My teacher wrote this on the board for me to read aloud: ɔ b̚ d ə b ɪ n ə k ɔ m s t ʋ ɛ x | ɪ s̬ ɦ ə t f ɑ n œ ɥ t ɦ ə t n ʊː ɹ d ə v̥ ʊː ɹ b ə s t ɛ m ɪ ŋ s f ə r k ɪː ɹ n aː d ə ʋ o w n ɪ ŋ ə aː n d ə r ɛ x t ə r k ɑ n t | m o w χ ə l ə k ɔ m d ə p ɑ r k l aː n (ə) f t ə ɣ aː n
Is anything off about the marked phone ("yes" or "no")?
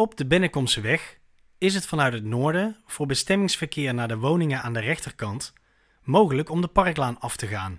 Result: yes